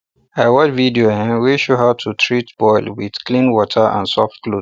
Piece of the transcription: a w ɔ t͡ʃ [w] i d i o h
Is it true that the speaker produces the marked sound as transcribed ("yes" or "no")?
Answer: no